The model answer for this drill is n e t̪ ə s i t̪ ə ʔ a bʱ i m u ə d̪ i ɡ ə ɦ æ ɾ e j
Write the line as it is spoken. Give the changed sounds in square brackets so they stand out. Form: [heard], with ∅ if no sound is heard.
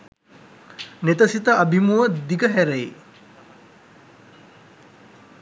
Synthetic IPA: n e t̪ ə s i t̪ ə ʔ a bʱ i m u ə d̪ i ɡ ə ɦ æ ɾ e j